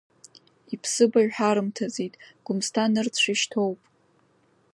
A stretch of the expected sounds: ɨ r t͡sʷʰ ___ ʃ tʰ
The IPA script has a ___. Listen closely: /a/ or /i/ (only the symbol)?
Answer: i